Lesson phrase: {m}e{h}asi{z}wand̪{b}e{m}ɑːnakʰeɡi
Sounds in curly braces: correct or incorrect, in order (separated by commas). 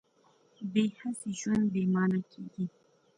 incorrect, correct, incorrect, correct, correct